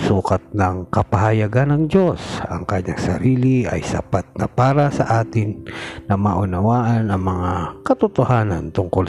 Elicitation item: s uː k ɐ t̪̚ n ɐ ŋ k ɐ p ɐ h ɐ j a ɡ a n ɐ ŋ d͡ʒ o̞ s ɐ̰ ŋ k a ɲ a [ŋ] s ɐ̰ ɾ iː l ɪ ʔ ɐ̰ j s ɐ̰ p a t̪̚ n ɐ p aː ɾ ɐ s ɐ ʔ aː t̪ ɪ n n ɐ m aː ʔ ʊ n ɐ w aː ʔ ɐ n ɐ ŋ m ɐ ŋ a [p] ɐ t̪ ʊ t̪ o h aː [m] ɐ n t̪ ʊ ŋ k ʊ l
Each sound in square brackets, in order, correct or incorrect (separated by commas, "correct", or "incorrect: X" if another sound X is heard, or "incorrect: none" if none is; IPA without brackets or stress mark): correct, incorrect: k, incorrect: n